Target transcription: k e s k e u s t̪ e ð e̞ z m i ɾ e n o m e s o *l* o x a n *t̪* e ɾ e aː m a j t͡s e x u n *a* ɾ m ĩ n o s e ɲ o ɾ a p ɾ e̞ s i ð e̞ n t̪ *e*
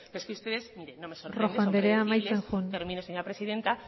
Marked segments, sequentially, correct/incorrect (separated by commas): incorrect, incorrect, incorrect, incorrect